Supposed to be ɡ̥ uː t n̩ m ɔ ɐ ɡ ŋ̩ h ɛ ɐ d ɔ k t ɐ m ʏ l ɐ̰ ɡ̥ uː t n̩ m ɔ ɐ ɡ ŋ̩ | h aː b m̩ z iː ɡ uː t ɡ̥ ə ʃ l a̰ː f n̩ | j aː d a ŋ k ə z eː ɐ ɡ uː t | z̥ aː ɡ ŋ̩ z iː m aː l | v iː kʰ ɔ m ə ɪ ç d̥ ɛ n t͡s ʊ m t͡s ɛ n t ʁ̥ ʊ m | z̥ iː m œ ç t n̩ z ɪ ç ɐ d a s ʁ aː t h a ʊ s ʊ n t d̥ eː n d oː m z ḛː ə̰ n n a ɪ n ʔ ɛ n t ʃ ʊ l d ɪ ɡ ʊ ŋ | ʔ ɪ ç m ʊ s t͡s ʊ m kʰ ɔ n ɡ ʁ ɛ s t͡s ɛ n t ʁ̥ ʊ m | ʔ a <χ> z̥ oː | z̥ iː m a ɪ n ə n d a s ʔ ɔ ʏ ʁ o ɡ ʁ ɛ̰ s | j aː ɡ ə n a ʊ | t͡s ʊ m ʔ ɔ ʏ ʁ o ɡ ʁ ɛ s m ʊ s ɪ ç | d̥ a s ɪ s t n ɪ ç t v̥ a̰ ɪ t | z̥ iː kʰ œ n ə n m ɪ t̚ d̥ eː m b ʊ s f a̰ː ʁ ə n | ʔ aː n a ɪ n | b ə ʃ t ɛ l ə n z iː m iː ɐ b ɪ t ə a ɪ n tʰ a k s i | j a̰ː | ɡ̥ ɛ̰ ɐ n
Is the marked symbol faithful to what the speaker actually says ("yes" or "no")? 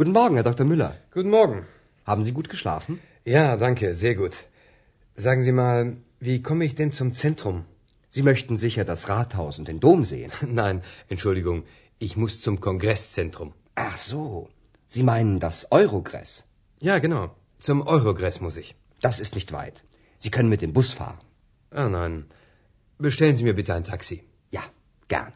yes